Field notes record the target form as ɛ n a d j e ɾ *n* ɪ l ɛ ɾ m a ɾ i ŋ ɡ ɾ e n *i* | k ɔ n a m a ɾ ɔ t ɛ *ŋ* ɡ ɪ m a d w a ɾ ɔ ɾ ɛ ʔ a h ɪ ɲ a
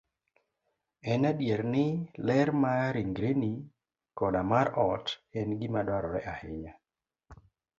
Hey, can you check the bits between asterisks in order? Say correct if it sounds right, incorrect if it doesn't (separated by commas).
correct, correct, incorrect